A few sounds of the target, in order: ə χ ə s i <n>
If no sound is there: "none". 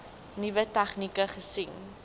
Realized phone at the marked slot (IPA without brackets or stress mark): ŋ